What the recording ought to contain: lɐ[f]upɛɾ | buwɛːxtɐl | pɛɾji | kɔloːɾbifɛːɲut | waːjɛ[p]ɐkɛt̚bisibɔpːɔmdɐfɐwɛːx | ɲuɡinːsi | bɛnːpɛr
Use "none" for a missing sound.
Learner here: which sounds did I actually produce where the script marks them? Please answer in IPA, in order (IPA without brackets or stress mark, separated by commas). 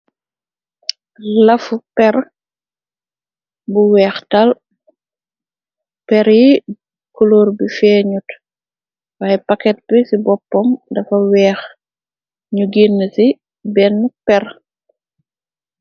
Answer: f, p